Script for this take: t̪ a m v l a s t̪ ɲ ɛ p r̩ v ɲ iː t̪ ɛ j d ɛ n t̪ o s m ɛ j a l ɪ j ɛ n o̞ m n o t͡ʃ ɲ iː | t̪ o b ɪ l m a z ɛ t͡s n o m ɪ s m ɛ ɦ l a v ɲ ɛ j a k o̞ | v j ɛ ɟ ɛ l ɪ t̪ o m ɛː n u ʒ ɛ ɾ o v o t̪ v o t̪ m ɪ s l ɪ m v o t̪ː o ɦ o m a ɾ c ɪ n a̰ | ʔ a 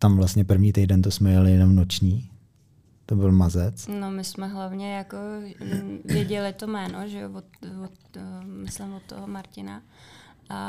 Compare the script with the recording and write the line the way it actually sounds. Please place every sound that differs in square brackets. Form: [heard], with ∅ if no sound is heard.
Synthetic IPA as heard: t̪ a m v l a s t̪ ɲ ɛ p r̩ v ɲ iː t̪ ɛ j d ɛ n t̪ o s m ɛ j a l ɪ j ɛ n o̞ m n o t͡ʃ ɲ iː | t̪ o b ɪ l m a z ɛ t͡s n o m ɪ s m ɛ ɦ l a v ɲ ɛ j a k o̞ | v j ɛ ɟ ɛ l ɪ t̪ o m ɛː n [o] ʒ ɛ [∅] o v o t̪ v o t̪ m ɪ s l ɪ m v o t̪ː o ɦ o m a ɾ c ɪ n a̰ | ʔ a